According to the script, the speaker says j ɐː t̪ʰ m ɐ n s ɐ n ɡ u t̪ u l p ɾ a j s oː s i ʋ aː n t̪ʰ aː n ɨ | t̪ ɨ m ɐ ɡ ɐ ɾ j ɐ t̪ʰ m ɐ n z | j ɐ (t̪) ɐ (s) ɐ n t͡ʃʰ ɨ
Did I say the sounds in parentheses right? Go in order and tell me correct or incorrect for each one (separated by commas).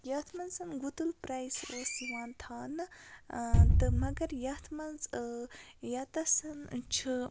correct, correct